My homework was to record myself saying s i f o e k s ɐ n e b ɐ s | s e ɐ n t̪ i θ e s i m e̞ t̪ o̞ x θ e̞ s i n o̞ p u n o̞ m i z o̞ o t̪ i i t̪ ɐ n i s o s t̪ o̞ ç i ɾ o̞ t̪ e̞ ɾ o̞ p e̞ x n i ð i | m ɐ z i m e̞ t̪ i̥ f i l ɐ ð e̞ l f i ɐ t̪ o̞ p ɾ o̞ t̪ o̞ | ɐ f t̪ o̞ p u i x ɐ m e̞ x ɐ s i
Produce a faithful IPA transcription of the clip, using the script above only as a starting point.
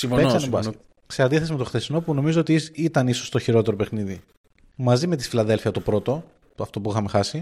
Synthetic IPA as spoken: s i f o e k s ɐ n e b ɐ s | s e ɐ n d̪ i θ e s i m e̞ t̪ o̞ x θ e̞ s i n o̞ p u n o̞ m i z o̞ o t̪ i i t̪ ɐ n i s o s t̪ o̞ ç i ɾ o̞ t̪ e̞ ɾ o̞ p e̞ x n i ð i | m ɐ z i m e̞ t̪ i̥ f i l ɐ ð e̞ l f i ɐ t̪ o̞ p ɾ o̞ t̪ o̞ | ɐ f t̪ o̞ p u i x ɐ m e̞ x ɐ s i